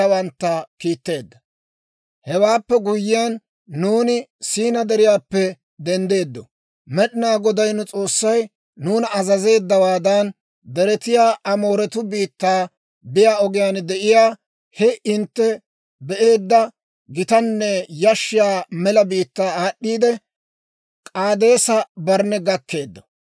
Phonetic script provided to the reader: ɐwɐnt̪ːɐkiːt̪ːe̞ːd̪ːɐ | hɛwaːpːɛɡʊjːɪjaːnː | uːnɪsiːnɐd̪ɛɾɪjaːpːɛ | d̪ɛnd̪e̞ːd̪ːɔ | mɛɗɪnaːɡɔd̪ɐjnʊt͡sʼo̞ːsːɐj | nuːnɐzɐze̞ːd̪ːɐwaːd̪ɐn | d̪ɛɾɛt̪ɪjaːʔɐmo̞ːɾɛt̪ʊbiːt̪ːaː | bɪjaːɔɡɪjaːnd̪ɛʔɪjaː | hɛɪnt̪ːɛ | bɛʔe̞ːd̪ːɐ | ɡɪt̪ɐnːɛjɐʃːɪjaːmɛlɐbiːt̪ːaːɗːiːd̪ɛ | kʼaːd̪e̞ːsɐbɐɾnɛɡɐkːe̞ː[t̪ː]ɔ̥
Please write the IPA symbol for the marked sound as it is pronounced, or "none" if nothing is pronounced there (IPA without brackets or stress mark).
d̪ː